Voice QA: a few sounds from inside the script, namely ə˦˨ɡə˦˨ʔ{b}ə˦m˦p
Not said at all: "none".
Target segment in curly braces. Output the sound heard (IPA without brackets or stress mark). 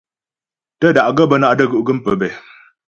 ɡ